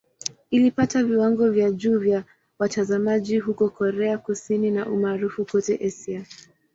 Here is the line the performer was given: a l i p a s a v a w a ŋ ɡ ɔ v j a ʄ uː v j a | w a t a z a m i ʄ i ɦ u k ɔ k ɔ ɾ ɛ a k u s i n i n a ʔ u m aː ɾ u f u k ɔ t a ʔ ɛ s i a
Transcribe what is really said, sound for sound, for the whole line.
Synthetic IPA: i l i p a t a v i w a ŋ ɡ ɔ v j a ʄ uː v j a | w a t a z a m a ʄ i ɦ u k ɔ k ɔ ɾ ɛ a k u s i n i n a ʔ u m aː ɾ u f u k ɔ t ɛ ʔ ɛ s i a